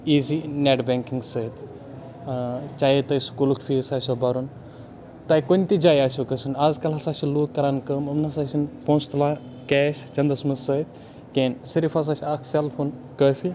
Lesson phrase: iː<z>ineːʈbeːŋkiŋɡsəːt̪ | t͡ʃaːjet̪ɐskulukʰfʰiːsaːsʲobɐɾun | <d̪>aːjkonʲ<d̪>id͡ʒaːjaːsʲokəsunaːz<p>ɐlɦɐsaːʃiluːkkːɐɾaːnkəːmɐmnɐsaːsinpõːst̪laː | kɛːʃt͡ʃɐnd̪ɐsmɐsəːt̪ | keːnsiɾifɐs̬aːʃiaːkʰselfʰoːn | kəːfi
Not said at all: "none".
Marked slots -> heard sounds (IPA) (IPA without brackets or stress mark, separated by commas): z, t̪, t̪, k